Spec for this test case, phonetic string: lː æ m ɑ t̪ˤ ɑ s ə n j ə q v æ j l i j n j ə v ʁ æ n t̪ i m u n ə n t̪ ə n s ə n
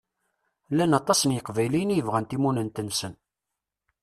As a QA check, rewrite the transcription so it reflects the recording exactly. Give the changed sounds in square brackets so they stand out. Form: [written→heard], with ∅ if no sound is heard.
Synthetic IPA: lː æ [m→n] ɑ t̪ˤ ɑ s ə n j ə q v æ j l i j n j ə v ʁ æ n t̪ i m u n ə n t̪ ə n s ə n